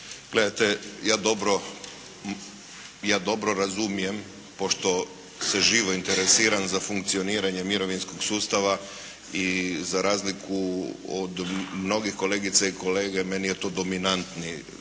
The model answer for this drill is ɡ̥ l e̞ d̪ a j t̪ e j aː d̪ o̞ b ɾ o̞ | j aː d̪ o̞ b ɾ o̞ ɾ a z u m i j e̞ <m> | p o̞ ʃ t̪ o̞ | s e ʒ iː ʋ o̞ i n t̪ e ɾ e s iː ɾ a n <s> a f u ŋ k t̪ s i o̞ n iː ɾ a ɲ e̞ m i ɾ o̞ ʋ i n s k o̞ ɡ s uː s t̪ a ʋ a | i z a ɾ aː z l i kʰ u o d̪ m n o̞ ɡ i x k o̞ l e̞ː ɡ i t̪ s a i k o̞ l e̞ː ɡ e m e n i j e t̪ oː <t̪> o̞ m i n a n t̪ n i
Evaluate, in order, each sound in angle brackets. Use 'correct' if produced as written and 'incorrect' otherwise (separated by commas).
correct, incorrect, incorrect